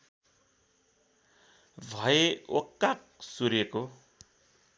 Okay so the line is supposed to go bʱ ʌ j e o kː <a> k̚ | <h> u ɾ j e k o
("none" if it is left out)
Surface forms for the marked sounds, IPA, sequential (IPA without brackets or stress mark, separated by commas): a, s